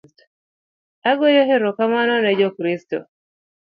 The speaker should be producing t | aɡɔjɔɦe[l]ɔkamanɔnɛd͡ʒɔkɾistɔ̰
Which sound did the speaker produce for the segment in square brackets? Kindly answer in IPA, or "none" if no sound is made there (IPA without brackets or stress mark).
ɾ